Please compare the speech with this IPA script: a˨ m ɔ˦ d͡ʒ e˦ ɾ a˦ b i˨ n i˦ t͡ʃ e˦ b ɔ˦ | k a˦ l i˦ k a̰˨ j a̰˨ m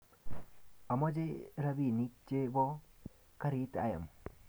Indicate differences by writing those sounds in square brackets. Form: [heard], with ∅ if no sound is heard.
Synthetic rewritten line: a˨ m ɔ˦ d͡ʒ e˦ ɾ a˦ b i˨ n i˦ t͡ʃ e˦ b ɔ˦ | k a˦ [ɾ] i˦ [t] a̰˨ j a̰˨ m